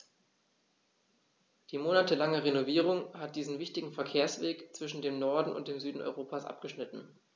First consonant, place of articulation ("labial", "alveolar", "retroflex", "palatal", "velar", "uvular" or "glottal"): alveolar